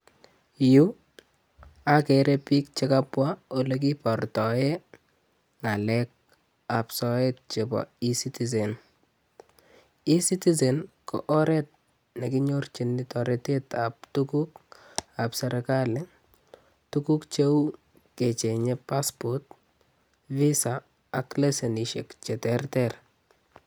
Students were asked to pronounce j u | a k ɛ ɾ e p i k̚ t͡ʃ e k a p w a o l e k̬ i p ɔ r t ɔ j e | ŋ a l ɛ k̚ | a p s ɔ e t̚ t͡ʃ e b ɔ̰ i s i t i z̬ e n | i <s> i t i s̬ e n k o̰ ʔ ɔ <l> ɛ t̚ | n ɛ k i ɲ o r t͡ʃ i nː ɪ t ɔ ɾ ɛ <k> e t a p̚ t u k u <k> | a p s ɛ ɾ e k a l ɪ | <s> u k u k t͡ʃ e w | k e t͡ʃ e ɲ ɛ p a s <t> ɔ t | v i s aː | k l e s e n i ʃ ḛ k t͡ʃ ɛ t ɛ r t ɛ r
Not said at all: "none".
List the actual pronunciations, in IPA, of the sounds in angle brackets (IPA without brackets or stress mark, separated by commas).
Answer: s, ɾ, t, k, t, p